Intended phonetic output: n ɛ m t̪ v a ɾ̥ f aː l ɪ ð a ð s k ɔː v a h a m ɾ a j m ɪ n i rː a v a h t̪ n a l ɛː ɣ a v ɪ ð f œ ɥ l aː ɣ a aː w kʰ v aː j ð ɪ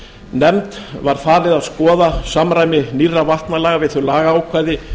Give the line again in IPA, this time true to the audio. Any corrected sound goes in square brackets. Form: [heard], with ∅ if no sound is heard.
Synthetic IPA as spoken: n ɛ m t̪ v a ɾ̥ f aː [ɾ] ɪ ð a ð s k ɔː [ð] a [s] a m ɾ a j m ɪ n i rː a v a h t̪ n a l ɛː ɣ a v ɪ ð [θ] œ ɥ l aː ɣ a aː w kʰ v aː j ð ɪ